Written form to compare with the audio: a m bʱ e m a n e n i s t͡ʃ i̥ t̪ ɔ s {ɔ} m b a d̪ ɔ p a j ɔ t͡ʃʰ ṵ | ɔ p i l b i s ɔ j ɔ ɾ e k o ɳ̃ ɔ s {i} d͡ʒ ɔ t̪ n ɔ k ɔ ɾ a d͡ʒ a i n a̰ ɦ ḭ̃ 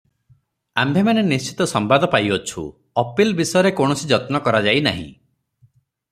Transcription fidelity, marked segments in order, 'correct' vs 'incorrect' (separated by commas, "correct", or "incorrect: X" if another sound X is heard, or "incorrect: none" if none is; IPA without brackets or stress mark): correct, correct